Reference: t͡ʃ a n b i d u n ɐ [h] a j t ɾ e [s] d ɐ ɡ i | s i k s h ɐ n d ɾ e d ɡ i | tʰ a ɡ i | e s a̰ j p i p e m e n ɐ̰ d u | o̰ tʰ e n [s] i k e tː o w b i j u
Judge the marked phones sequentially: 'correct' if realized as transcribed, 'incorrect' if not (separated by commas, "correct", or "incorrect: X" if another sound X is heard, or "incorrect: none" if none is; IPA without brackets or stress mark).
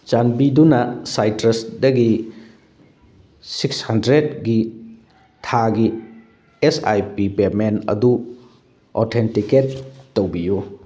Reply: incorrect: s, correct, incorrect: t